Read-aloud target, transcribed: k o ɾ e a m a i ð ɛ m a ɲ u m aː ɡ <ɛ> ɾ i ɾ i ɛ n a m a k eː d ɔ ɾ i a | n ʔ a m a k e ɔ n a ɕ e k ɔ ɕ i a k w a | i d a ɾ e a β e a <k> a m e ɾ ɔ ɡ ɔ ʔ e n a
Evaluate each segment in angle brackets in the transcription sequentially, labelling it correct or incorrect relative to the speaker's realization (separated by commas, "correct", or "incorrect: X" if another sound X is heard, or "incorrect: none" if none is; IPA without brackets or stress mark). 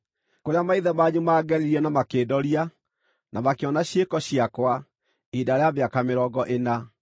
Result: correct, correct